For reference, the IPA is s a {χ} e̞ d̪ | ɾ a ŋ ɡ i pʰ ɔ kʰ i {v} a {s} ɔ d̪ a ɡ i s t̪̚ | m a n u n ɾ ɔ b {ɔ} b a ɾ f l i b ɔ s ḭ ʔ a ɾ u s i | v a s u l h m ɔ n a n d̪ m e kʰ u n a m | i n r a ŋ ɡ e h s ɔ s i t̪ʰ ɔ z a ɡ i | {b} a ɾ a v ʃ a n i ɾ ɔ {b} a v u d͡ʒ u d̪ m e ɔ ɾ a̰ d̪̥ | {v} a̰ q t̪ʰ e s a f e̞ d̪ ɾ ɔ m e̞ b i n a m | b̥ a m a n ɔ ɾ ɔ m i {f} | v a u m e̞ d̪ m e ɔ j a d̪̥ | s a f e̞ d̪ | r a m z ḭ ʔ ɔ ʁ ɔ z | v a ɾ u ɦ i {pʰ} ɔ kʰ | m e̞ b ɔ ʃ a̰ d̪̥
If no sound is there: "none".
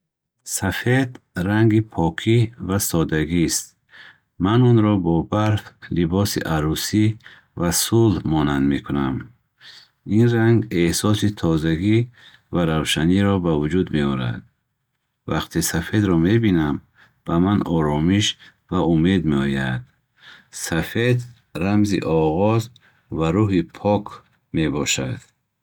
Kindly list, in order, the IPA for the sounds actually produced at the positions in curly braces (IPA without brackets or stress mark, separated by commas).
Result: f, v, s, ɔ, v, b, v, ʃ, pʰ